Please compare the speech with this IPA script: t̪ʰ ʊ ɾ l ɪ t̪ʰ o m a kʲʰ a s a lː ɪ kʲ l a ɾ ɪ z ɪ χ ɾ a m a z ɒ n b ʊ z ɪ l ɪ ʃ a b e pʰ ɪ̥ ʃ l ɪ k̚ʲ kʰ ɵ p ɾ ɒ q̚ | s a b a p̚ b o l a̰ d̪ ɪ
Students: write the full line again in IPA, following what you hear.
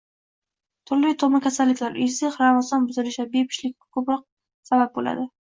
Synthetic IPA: t̪ʰ ʊ ɾ l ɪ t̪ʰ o m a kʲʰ a s a lː ɪ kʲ l a ɾ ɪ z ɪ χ ɾ a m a z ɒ n b ʊ z ɪ l ɪ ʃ a b e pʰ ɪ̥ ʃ l ɪ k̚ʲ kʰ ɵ p ɾ ɒ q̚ | s a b a p̚ b o l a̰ d̪ ɪ